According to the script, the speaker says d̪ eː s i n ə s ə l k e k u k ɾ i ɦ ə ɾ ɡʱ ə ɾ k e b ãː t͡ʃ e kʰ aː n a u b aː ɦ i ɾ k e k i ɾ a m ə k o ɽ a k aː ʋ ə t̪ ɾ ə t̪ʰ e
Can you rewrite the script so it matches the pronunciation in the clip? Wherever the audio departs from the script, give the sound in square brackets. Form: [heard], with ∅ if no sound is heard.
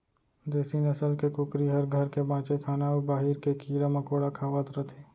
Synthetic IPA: d̪ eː s i n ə s ə l k e k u k ɾ i ɦ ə ɾ ɡʱ ə ɾ k e b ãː t͡ʃ e kʰ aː n a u b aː ɦ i ɾ k e k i ɾ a m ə k o ɽ a [kʰ] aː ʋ ə t̪ ɾ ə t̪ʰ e